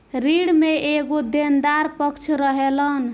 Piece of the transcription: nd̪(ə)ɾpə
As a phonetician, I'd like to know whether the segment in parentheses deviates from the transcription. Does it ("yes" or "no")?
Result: yes